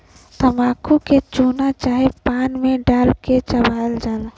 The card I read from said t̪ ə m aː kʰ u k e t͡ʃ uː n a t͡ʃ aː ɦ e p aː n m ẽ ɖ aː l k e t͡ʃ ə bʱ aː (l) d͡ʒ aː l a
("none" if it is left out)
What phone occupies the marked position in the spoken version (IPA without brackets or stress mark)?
l